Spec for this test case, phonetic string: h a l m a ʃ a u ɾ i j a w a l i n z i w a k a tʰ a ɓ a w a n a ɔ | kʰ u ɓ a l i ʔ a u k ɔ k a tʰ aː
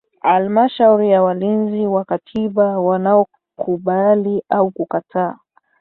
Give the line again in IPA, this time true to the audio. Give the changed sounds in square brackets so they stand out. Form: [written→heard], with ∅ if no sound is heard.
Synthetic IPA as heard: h a l m a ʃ a u ɾ i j a w a l i n z i w a k a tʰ [a→i] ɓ a w a n a ɔ | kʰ u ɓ a l i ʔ a u k [ɔ→u] k a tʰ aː